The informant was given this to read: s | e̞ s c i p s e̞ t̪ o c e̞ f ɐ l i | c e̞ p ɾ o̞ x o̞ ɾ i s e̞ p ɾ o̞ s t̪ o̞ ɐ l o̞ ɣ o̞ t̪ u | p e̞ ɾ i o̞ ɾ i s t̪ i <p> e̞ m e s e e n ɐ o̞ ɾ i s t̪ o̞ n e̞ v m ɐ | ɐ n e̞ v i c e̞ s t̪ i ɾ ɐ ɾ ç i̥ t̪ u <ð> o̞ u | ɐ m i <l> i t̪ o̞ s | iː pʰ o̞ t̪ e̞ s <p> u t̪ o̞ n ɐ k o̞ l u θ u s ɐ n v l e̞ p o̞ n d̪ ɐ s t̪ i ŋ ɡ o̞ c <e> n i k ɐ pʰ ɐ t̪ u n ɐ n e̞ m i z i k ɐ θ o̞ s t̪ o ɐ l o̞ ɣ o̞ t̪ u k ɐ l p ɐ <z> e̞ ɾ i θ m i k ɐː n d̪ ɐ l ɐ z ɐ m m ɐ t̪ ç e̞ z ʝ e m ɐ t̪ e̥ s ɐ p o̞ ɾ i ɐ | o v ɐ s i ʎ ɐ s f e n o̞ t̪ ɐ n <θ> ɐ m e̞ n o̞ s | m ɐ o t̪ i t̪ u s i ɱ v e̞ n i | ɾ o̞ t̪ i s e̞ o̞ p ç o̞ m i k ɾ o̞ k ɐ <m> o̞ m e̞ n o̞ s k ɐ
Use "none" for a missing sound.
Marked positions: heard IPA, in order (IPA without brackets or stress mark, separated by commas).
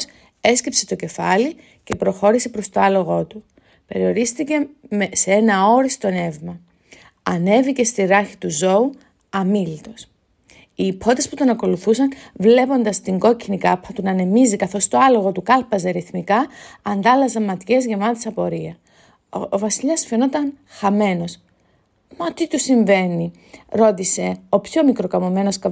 c, z, l, p, i, z, x, m